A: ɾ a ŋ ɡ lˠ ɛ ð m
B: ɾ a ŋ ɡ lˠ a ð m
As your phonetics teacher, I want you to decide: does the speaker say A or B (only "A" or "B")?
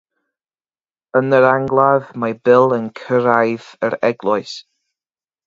B